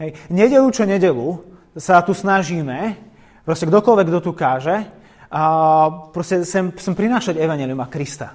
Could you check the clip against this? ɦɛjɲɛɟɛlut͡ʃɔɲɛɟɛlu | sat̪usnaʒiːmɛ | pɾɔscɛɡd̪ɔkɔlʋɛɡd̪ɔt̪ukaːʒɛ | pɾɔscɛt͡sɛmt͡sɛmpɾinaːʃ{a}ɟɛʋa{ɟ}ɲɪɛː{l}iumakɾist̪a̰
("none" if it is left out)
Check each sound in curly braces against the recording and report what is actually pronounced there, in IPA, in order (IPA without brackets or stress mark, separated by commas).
a, none, l